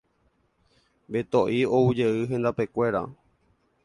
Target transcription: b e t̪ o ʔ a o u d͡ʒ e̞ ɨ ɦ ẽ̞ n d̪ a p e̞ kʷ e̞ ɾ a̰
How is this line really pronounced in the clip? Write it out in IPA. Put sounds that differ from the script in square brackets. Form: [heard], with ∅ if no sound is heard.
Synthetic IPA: b e t̪ o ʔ [i] o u d͡ʒ e̞ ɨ ɦ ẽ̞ n d̪ a p e̞ kʷ e̞ ɾ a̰